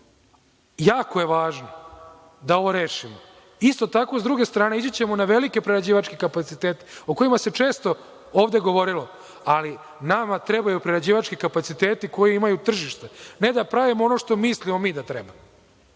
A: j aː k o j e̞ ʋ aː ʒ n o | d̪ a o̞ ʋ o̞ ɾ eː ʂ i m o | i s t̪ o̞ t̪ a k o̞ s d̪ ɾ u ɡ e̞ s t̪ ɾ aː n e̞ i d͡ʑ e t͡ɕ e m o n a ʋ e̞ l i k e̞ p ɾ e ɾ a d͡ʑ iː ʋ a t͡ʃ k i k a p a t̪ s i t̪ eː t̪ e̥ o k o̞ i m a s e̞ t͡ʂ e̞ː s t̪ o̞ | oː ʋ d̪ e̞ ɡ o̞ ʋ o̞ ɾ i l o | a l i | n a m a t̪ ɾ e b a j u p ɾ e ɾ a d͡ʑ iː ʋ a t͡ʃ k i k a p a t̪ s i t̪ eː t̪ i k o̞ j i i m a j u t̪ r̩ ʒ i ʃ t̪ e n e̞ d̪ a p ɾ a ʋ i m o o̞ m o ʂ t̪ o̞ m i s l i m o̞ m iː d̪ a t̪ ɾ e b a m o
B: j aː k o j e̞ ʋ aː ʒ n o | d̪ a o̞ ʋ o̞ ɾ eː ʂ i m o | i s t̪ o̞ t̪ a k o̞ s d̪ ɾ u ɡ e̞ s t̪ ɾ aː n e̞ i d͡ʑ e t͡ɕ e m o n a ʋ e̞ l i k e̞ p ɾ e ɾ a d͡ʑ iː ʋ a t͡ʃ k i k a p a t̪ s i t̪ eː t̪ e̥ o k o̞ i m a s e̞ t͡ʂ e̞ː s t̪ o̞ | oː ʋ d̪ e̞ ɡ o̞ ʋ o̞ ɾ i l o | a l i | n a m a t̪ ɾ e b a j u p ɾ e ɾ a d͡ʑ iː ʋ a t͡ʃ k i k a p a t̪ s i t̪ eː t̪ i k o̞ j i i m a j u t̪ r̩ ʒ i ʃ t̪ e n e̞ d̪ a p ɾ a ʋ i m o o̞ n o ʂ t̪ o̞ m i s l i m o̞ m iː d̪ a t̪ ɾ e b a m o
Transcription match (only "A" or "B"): B